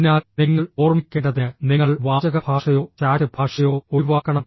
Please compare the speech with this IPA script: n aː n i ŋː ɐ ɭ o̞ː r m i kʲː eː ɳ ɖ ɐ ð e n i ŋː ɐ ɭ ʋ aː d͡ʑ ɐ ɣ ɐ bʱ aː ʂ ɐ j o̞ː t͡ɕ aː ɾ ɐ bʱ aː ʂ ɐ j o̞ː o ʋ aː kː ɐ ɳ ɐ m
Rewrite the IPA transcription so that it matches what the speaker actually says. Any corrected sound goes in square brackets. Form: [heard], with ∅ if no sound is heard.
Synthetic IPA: n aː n i ŋː ɐ ɭ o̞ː r m i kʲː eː ɳ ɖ ɐ ð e n i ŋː ɐ ɭ ʋ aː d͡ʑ ɐ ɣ ɐ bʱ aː ʂ ɐ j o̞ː t͡ɕ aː ɾ ɐ bʱ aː ʂ ɐ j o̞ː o ʋ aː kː ɐ ɳ ɐ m